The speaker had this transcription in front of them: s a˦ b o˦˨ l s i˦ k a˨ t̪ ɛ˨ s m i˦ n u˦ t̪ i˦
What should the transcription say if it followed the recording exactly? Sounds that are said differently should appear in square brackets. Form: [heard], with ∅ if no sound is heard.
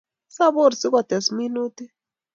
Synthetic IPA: s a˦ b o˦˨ [ɾ] s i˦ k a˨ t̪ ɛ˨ s m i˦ n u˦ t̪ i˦